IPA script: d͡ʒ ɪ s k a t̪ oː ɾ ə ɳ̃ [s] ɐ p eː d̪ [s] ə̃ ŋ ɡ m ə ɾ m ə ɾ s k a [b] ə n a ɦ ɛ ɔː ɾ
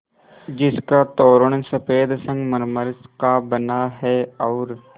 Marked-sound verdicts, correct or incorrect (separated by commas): correct, correct, correct